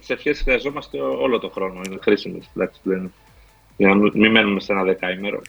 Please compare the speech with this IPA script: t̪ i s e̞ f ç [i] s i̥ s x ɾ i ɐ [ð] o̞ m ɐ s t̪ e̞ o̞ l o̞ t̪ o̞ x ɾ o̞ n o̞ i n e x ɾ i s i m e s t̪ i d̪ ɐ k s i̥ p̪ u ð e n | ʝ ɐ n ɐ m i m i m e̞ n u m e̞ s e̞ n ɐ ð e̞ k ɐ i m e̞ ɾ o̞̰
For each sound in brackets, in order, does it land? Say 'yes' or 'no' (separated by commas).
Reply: no, no